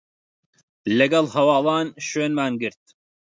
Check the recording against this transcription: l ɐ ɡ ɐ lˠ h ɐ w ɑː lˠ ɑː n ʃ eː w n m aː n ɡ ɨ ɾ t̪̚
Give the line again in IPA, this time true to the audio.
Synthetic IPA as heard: l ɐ ɡ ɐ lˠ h ɐ w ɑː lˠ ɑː n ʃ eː n m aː n ɡ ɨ ɾ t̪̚